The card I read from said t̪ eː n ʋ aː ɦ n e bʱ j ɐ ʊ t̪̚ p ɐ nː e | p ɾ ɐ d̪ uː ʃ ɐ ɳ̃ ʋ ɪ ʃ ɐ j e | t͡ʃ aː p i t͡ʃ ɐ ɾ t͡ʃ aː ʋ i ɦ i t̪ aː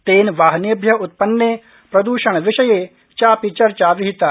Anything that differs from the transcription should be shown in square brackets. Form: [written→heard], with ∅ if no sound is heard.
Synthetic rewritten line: t̪ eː n ʋ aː ɦ n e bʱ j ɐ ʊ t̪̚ p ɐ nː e | p ɾ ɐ d̪ uː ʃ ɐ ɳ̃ ʋ ɪ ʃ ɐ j e | t͡ʃ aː p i t͡ʃ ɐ ɾ t͡ʃ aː ʋ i ɦ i t̪ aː